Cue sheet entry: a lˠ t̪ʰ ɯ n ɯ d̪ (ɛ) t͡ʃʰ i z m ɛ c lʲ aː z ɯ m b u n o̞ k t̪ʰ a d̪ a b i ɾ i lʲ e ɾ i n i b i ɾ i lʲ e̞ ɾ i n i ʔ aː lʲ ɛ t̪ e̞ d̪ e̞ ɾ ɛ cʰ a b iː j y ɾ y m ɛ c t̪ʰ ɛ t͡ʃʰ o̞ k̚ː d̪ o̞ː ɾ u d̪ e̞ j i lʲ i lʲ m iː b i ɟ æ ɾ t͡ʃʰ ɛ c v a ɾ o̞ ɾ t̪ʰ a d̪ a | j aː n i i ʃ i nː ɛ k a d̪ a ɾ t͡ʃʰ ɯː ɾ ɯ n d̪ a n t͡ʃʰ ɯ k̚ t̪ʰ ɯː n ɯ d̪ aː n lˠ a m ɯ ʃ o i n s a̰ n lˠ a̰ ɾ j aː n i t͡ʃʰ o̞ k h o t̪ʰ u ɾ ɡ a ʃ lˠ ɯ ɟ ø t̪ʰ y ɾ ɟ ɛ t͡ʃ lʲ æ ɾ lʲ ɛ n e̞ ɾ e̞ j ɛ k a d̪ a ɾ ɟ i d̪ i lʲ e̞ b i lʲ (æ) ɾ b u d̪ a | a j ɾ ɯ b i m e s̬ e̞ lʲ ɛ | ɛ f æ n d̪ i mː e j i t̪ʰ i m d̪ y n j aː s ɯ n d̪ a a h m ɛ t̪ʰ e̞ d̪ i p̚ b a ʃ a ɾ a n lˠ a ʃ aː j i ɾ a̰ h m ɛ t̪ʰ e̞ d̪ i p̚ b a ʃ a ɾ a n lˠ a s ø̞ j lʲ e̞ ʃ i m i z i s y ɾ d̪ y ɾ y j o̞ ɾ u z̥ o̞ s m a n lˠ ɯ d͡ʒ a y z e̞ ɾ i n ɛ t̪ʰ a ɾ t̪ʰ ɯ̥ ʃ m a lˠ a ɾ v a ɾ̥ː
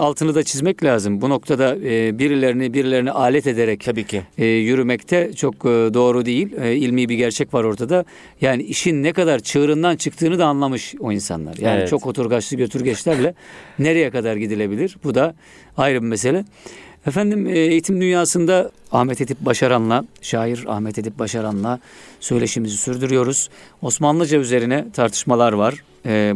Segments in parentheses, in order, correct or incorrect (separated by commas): incorrect, incorrect